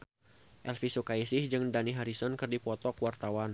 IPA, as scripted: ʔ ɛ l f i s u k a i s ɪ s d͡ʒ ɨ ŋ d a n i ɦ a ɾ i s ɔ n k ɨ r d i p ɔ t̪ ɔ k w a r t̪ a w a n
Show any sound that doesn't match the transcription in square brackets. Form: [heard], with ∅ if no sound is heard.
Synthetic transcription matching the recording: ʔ ɛ l f i s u k a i s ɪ [h] d͡ʒ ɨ ŋ d a n i ɦ a ɾ i s ɔ n k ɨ r d i p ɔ t̪ ɔ k w a r t̪ a w a n